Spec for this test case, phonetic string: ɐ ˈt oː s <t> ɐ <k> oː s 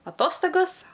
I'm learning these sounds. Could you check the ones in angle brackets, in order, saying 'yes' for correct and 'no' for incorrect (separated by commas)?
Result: yes, no